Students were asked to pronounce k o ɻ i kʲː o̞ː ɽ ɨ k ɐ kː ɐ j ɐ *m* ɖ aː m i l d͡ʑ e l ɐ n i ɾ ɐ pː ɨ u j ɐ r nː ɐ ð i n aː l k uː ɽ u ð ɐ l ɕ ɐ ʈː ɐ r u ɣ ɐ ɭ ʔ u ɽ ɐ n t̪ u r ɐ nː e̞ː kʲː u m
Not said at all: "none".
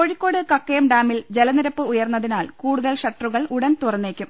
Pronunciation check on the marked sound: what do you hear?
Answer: m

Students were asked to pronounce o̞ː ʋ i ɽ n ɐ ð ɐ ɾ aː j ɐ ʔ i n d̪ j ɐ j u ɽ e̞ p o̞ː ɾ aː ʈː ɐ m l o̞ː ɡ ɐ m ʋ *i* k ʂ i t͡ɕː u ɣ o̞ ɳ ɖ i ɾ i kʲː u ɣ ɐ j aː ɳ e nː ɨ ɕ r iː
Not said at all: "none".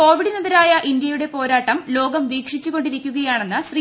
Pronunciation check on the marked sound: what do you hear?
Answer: iː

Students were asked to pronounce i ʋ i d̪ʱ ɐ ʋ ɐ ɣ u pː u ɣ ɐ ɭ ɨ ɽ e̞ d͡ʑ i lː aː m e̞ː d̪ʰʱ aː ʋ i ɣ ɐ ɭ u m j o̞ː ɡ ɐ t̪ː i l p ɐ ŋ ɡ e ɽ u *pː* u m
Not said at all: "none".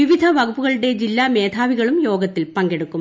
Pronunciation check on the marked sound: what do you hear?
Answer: kː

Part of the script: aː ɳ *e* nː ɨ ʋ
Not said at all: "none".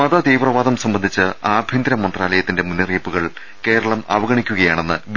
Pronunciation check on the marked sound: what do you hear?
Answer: e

